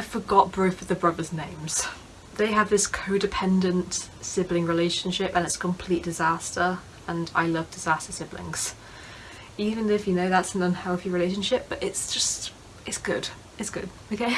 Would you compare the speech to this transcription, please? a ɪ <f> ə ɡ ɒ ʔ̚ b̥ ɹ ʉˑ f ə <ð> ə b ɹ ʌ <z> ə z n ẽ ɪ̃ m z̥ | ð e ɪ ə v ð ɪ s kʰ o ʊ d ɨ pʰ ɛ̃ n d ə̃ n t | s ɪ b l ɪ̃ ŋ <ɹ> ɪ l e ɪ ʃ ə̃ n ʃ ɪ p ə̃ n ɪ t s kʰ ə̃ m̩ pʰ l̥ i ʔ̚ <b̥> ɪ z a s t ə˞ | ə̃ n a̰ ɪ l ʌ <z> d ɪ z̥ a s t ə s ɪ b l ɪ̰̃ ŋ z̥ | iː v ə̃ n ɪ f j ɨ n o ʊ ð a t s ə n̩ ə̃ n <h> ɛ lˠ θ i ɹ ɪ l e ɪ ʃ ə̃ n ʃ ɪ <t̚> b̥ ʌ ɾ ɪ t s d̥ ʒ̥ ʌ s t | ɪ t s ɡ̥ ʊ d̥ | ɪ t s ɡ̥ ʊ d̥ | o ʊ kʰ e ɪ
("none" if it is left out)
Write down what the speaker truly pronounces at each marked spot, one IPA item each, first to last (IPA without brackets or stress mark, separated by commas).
f, ð, ð, ɹ, d̥, v, h, p̚